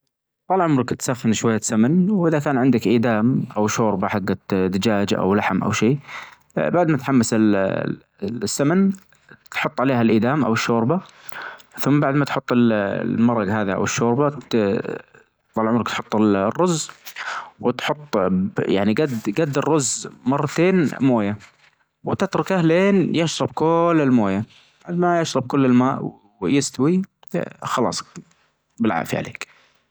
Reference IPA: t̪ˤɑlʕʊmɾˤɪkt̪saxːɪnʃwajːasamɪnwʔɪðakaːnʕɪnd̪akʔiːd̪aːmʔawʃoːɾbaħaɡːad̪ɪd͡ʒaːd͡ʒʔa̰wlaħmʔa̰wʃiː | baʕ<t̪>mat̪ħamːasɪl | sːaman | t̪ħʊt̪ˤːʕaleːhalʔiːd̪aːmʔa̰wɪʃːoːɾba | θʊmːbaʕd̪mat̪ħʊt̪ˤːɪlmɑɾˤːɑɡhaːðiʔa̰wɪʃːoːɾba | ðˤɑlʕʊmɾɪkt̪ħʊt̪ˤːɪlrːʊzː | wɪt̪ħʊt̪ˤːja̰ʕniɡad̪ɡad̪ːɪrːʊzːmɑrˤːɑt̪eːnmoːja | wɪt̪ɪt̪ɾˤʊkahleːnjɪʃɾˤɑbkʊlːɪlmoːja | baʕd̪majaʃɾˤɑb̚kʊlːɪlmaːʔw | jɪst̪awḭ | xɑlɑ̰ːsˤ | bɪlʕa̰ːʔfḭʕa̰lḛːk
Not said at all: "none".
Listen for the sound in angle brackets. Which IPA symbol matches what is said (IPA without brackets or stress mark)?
d̪